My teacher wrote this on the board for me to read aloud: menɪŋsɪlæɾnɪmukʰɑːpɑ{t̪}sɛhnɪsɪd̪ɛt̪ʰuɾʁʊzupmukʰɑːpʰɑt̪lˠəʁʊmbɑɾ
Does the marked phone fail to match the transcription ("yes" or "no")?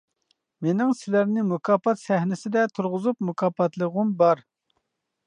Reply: no